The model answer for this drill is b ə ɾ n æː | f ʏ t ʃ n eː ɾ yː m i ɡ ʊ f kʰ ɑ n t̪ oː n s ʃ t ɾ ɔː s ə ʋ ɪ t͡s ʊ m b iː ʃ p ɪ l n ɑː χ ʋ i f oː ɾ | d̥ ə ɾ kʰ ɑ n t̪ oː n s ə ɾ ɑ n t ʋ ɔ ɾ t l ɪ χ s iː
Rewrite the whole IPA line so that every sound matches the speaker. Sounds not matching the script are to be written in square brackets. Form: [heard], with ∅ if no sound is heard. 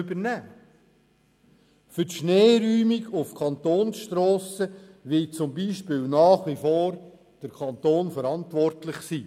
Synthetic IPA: b ə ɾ n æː | f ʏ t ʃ n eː ɾ yː m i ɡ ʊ f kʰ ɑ n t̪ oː n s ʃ t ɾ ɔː s ə ʋ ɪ t͡s ʊ m b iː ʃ p ɪ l n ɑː χ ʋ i f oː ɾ | d̥ ə ɾ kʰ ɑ n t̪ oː n [f] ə ɾ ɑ n t ʋ ɔ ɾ t l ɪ χ s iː